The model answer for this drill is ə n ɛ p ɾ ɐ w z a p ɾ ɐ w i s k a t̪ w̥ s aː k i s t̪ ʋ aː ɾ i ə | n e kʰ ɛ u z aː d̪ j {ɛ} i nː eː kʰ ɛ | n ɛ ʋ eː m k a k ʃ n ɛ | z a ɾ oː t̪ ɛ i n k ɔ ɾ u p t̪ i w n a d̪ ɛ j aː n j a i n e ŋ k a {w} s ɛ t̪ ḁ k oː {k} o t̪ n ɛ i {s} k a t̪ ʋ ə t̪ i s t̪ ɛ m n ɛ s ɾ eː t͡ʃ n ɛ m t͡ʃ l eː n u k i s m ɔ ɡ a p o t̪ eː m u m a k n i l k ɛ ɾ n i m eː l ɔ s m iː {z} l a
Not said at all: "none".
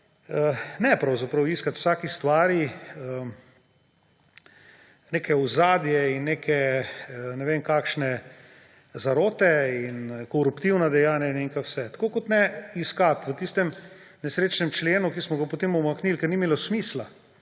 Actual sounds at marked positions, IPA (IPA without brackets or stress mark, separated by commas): ɛ, w, k, s, s